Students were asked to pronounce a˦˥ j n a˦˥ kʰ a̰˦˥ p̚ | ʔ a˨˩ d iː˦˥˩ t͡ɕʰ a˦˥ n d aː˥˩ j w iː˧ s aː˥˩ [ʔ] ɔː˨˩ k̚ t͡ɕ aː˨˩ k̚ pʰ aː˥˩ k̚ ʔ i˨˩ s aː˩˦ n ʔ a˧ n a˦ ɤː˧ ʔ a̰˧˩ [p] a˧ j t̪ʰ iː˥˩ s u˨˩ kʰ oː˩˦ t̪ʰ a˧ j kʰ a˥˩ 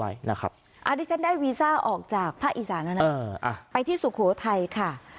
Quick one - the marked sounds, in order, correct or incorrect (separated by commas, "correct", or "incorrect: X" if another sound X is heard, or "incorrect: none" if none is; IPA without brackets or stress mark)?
correct, correct